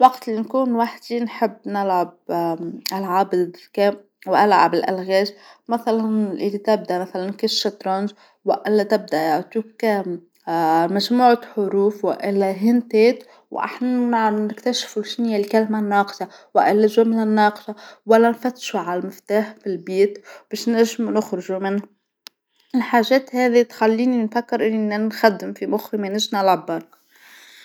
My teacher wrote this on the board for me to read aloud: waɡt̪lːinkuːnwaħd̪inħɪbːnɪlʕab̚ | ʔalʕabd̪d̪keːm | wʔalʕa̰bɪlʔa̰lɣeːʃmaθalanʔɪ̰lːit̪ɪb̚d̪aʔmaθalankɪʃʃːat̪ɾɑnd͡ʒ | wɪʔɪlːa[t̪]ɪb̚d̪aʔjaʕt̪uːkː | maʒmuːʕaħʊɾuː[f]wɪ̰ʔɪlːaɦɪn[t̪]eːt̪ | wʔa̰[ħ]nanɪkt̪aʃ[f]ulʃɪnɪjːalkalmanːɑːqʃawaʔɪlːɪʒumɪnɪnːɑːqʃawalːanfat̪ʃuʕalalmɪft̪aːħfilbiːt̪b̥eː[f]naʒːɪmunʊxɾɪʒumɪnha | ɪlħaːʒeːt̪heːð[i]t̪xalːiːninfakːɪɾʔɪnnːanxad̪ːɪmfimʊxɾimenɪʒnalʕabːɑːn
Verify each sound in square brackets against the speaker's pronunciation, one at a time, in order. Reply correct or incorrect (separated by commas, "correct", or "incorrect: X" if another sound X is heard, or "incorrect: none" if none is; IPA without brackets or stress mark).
correct, correct, correct, correct, correct, incorrect: ʃ, correct